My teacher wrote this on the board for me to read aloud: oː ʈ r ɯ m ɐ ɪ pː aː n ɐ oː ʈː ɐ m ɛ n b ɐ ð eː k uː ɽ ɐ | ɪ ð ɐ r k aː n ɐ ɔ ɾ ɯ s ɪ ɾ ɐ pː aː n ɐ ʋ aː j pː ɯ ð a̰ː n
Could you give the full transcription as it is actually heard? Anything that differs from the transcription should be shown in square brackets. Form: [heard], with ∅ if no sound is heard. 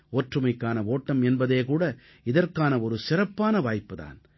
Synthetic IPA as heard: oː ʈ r ɯ m ɐ ɪ [kː] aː n ɐ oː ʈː ɐ m ɛ n b ɐ ð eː k uː ɽ ɐ | ɪ ð ɐ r k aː n ɐ ɔ ɾ ɯ s ɪ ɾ ɐ pː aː n ɐ ʋ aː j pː ɯ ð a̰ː n